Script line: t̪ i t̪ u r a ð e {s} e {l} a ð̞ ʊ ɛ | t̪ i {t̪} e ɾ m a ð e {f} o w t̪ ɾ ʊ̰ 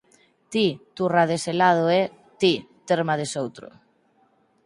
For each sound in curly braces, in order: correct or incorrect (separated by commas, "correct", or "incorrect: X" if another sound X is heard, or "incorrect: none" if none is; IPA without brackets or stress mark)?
correct, correct, correct, incorrect: s